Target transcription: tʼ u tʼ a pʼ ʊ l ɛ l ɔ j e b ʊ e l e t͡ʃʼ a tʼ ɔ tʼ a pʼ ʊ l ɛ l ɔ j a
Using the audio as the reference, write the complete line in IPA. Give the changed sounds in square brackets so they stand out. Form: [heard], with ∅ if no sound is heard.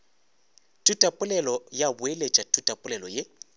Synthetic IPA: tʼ u tʼ a pʼ ʊ l ɛ l ɔ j [a] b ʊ e l e t͡ʃʼ a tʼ [u] tʼ a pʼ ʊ l ɛ l ɔ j [e]